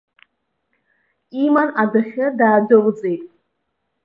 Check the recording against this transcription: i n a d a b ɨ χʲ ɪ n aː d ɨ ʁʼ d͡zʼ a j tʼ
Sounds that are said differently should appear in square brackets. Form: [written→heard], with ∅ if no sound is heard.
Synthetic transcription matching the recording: i [n→m] a [d→n] a [b→d] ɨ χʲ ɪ [n→d] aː d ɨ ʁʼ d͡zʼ [a→e] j tʼ

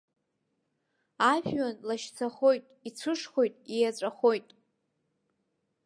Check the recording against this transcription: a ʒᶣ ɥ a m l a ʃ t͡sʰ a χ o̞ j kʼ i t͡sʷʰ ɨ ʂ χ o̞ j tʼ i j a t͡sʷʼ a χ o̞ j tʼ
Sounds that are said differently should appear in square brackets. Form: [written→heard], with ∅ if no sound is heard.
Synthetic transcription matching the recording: a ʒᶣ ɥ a [m→n] l a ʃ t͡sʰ a χ o̞ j [kʼ→tʼ] i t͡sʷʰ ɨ ʂ χ o̞ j tʼ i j a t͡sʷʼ a χ o̞ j tʼ

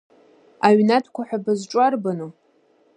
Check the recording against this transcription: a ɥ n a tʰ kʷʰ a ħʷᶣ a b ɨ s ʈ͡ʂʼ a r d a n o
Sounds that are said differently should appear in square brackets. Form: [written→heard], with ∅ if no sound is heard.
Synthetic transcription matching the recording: a ɥ n a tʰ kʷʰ a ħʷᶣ a b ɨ [s→z] ʈ͡ʂʼ a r [d→b] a n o

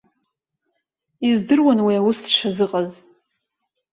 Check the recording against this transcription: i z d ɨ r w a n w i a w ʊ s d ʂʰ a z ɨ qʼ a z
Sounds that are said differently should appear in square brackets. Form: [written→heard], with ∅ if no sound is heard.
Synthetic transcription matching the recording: i z d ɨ r w a n w i a w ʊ s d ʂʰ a z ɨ qʼ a z

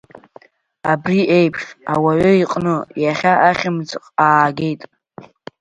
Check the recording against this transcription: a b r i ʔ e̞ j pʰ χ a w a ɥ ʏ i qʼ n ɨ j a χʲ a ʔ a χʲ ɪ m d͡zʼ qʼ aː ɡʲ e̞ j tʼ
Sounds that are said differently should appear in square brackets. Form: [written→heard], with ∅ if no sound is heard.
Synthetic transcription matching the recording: a b r i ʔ e̞ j pʰ [χ→ʂ] a w a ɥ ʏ i qʼ n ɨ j a χʲ a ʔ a χʲ ɪ m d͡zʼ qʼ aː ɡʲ e̞ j tʼ

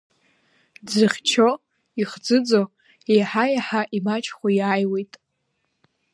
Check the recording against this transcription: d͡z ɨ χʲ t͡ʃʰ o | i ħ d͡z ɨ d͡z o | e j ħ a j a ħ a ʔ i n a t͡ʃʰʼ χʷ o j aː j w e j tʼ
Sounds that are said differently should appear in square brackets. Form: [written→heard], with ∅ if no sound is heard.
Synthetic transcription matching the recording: d͡z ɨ χʲ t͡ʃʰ o | i [ħ→χ] d͡z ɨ d͡z o | e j ħ a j a ħ a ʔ i [n→m] a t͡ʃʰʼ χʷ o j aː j w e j tʼ

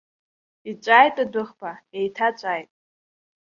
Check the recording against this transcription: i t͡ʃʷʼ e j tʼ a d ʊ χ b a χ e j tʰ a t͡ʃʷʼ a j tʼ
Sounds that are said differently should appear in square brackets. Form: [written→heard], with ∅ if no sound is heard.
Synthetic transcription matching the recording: i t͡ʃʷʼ [e→a] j tʼ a d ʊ χ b a [χ→∅] e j tʰ a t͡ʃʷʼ a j tʼ

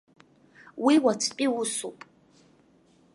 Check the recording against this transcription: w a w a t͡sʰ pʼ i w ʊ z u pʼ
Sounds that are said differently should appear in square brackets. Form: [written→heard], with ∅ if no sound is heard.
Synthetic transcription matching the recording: w [a→i] w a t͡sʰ pʼ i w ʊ [z→s] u pʼ

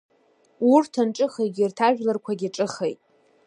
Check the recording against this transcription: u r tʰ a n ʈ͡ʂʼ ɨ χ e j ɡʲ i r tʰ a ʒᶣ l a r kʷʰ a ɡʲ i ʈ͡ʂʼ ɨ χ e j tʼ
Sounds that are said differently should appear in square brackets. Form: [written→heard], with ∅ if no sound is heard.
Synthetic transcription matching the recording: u r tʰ a n ʈ͡ʂʼ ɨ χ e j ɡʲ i r tʰ a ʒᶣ l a r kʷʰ a ɡʲ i ʈ͡ʂʼ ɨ χ e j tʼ

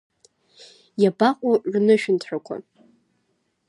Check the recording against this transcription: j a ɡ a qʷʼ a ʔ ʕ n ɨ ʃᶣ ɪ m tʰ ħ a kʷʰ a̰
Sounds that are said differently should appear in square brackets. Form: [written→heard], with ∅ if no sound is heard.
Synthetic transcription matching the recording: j a [ɡ→b] a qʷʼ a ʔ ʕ n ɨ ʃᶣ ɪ [m→n] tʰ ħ a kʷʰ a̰

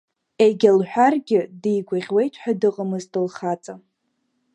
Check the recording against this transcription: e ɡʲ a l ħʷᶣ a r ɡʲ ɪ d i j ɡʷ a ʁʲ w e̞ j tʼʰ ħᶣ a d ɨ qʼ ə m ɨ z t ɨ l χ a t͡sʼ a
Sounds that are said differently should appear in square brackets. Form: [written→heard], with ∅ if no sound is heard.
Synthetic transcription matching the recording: e ɡʲ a l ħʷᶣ a r ɡʲ ɪ d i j ɡʷ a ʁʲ w e̞ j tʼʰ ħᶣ a d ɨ qʼ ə m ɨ z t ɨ l χ a t͡sʼ a

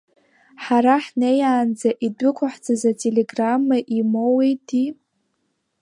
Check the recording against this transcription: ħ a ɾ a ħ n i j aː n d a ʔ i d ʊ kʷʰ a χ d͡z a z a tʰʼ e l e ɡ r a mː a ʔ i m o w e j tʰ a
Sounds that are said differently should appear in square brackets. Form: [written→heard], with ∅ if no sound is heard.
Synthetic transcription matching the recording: ħ a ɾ a ħ n [i→e] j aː n [d→d͡z] a ʔ i d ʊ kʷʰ a [χ→ħ] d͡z a z a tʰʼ e l e ɡ r a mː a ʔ i m o w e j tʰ [a→i]

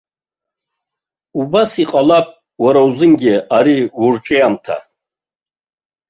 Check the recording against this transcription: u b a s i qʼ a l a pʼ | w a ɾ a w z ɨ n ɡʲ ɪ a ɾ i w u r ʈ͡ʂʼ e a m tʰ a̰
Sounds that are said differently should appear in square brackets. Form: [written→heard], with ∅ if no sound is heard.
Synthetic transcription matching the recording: u b a s i qʼ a l a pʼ | w a ɾ a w z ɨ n ɡʲ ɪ a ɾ i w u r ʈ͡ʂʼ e a m tʰ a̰

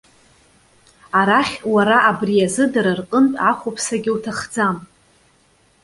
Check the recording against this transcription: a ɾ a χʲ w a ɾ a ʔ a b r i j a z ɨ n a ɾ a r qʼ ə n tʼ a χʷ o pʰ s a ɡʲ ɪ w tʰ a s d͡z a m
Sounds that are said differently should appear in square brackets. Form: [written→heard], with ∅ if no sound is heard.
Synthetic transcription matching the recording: a ɾ a χʲ w a ɾ a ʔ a b r i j a z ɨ [n→d] a ɾ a r qʼ ə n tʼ a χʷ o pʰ s a ɡʲ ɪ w tʰ a [s→χ] d͡z a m

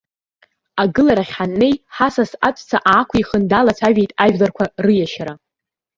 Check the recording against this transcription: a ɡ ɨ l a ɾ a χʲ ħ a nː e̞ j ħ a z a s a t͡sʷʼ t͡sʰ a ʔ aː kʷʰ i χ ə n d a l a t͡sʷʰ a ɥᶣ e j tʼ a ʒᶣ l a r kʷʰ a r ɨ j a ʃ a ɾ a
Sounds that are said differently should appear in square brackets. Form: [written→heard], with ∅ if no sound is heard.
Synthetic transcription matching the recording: a ɡ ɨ l a ɾ a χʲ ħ a nː e̞ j ħ a [z→s] a s a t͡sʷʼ t͡sʰ a ʔ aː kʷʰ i χ ə n d a l a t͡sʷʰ a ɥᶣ e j tʼ a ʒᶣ l a r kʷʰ a r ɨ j a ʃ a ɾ a

